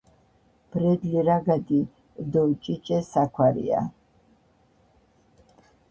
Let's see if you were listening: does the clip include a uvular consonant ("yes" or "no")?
no